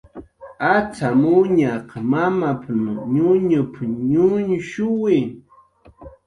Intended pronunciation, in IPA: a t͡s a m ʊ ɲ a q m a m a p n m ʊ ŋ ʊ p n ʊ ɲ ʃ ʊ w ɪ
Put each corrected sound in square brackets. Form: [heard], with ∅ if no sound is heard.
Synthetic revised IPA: a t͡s a m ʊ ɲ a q m a m a p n [ɲ] ʊ [ɲ] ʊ p [ɲ] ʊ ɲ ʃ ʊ w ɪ